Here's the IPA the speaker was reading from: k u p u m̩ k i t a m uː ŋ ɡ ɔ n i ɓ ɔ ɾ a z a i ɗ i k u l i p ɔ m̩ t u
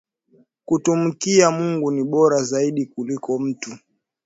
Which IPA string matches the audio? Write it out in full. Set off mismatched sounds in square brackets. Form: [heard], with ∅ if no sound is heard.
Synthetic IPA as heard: k u [t] u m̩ k i [∅] a m [u] ŋ ɡ [u] n i ɓ ɔ ɾ a z a i ɗ i k u l i [k] ɔ m̩ t u